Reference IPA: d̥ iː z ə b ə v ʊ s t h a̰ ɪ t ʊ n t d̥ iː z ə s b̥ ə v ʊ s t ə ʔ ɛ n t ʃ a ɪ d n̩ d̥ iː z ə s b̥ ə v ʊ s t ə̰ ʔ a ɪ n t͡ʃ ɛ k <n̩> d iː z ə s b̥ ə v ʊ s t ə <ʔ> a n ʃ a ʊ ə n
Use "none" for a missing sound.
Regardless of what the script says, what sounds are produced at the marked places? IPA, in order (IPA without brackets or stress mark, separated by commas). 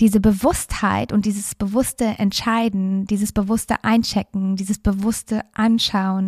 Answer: ŋ̩, ʔ